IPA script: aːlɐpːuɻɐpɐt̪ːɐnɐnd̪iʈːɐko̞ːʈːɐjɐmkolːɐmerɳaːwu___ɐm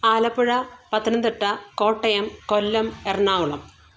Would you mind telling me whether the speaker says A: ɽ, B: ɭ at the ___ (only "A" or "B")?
B